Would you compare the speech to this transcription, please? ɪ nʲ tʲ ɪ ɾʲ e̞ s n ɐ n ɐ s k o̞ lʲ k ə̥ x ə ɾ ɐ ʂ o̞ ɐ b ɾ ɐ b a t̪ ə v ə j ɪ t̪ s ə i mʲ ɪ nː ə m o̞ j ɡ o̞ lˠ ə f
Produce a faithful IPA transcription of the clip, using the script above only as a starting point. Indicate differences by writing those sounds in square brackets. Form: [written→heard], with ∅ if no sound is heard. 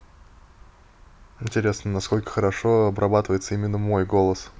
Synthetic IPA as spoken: ɪ nʲ tʲ ɪ ɾʲ e̞ s n [ɐ→ə] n ɐ s k o̞ lʲ k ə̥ x ə ɾ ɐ ʂ o̞ ɐ b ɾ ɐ b a t̪ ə v ə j ɪ t̪ s ə i mʲ ɪ nː ə m o̞ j ɡ o̞ lˠ ə [f→s]